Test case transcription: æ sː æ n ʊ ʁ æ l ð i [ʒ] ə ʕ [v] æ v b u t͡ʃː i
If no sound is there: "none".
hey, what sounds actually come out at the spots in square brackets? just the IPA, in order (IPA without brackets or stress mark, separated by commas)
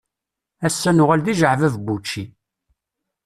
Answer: ʒ, v